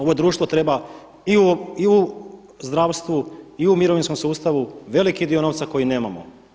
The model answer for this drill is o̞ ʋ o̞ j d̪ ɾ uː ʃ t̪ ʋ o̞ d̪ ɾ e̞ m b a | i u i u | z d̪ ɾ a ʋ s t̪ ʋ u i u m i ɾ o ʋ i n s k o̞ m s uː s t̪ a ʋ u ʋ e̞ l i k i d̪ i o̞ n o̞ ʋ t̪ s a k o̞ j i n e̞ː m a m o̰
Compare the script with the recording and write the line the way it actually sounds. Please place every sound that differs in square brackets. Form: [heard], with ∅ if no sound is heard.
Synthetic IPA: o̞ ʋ o̞ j d̪ ɾ uː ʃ t̪ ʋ o̞ [t̪] ɾ e̞ [∅] b a | i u i u | z d̪ ɾ a ʋ s t̪ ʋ u i u m i ɾ o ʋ i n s k o̞ m s uː s t̪ a ʋ u ʋ e̞ l i k i d̪ i o̞ n o̞ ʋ t̪ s a k o̞ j i n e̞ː m a m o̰